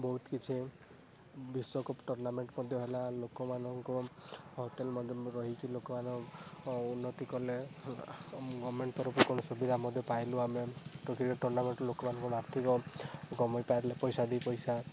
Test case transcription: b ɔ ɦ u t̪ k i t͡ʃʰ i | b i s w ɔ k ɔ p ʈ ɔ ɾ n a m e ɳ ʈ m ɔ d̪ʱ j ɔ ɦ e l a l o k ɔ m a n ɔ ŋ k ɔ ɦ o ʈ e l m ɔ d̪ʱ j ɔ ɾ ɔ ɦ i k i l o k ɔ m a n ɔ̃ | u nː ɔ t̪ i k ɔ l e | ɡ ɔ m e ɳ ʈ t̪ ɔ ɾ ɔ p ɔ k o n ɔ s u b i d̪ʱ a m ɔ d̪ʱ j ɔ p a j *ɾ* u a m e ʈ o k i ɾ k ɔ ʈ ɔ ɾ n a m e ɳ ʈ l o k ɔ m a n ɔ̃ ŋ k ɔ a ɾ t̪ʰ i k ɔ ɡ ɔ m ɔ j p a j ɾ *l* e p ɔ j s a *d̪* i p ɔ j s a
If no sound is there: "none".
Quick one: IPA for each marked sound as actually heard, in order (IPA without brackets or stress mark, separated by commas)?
l, l, d̪